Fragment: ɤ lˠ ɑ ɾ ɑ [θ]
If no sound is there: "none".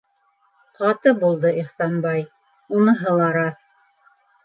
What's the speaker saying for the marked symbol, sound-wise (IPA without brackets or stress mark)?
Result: θ